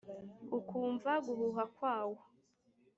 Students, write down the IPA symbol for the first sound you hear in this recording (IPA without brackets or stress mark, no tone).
u